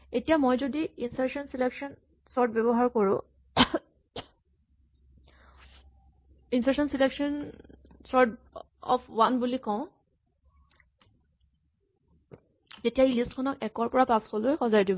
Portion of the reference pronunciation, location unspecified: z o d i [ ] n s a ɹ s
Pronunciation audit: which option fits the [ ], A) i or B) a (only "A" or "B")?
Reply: A